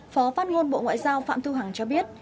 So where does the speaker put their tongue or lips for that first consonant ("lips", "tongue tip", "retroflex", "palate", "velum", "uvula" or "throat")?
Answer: lips